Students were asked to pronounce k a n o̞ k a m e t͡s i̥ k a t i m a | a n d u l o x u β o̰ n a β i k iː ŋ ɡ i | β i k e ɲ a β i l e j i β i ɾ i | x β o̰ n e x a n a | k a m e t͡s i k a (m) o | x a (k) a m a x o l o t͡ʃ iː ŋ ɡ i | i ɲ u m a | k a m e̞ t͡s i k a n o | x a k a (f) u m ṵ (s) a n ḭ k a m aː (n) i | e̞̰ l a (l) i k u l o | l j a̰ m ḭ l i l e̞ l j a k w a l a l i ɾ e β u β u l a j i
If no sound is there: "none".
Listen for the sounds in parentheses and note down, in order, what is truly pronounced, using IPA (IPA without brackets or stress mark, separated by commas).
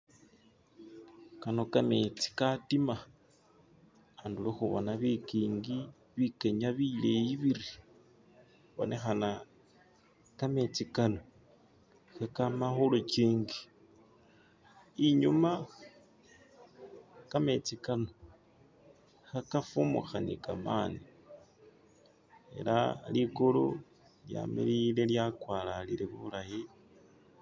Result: n, k, f, x, n, l